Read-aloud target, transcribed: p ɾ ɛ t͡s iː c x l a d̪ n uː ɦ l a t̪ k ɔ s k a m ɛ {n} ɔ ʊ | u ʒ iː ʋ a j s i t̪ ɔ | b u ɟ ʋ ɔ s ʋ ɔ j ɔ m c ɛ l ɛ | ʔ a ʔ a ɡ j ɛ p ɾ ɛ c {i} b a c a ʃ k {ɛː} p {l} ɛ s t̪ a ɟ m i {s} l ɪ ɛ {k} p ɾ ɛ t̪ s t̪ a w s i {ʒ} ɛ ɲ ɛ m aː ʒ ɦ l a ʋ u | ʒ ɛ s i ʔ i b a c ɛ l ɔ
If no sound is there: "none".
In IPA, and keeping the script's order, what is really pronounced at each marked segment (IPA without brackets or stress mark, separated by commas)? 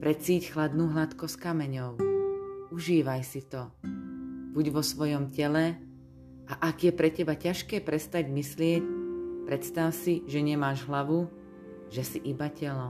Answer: ɲ, ɛ, ɛː, ɾ, s, c, ʒ